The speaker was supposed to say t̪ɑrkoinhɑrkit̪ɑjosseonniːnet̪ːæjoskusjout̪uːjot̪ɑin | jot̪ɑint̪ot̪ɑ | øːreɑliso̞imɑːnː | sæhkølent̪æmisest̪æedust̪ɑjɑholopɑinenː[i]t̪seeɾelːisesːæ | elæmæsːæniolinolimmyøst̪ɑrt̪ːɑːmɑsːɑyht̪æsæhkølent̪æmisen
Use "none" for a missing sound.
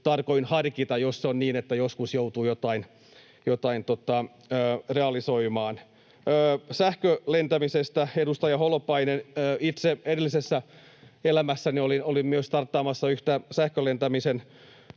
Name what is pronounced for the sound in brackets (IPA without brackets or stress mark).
i